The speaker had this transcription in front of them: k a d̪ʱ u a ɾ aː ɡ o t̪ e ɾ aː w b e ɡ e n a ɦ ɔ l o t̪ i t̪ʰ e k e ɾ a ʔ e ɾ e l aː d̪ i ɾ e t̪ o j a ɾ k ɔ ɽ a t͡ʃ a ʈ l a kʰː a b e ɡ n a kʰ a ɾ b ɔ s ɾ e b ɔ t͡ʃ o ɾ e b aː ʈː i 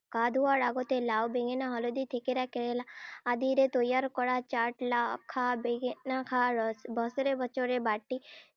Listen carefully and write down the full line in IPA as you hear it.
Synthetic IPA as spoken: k a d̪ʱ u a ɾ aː ɡ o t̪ e l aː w b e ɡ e n a ɦ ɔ l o d̪ i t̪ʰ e k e ɾ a k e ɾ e l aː d̪ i ɾ e t̪ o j a ɾ k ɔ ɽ a t͡ʃ a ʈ l a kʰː a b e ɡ n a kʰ a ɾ b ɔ s ɾ e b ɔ t͡ʃ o ɾ e b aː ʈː i